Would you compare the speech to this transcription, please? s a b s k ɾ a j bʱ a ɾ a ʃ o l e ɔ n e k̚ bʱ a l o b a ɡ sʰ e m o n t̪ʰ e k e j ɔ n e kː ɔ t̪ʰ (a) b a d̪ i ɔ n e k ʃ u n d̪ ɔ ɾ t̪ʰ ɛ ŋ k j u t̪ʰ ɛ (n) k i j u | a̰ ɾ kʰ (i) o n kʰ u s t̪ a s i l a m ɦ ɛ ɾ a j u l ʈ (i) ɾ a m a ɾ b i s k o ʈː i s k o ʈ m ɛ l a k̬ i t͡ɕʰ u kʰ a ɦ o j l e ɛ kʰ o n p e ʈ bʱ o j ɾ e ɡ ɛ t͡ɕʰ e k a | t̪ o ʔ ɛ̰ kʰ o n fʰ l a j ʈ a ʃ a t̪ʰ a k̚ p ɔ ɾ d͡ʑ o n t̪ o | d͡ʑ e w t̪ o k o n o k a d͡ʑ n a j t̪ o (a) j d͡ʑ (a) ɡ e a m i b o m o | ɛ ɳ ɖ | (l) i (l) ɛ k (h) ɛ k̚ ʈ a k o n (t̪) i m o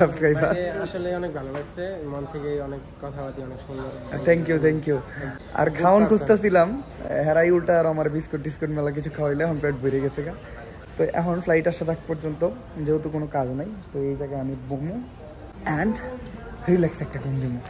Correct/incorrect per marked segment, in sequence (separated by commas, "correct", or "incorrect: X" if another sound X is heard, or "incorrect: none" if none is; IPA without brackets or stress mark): correct, incorrect: ŋ, incorrect: a, incorrect: a, incorrect: e, correct, incorrect: ɾ, correct, incorrect: s, incorrect: d̪